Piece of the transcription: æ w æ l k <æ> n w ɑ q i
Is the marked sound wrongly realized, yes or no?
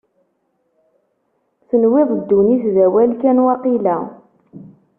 no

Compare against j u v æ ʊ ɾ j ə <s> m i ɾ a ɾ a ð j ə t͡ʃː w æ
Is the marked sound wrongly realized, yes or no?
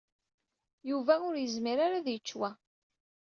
yes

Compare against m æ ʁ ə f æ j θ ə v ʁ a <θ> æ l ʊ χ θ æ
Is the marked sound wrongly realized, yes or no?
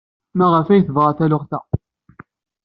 no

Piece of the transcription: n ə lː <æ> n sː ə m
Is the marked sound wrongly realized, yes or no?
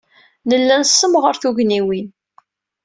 no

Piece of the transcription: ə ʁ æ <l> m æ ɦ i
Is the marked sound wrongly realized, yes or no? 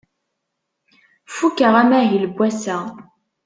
yes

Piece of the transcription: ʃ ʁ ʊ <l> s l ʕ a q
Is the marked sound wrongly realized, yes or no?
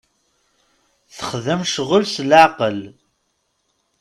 no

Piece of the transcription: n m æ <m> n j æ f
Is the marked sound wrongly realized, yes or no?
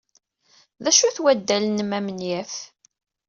no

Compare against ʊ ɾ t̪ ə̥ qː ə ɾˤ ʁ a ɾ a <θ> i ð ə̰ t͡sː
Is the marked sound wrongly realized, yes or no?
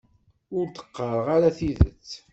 no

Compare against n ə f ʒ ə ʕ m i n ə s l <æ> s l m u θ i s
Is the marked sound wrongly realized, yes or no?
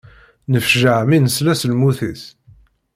no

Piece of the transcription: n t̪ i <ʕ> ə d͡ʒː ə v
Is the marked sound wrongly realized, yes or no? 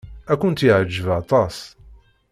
no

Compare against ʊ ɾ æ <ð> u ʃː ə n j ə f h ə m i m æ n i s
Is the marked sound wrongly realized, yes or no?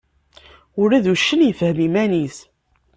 no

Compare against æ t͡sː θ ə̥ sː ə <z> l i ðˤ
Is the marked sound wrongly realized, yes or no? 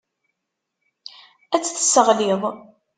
yes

